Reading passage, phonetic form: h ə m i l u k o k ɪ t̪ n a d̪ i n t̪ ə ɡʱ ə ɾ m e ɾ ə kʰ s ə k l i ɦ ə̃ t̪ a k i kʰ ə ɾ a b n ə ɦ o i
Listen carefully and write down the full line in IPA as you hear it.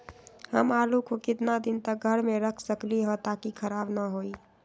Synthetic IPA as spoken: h ə m a l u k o k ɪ t̪ n a d̪ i n t̪ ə ɡʱ ə ɾ m e ɾ ə kʰ s ə k l i ɦ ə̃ t̪ a k i kʰ ə ɾ a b n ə ɦ o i